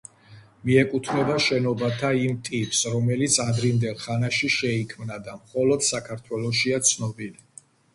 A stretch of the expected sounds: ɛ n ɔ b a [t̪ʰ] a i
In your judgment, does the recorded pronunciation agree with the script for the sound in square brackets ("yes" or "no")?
yes